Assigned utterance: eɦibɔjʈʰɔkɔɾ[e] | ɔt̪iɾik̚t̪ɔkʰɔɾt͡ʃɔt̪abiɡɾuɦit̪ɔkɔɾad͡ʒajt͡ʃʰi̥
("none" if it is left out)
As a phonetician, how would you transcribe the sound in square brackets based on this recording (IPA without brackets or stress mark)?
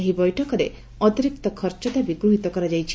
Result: e